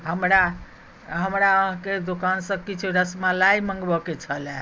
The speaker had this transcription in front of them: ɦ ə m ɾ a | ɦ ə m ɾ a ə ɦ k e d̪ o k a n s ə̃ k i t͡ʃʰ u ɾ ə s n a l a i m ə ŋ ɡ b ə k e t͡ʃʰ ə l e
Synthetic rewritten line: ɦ ə m ɾ a | ɦ ə m ɾ a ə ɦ k e d̪ o k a n s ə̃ k i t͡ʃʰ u ɾ ə s m a l a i m ə ŋ ɡ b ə k e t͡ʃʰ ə l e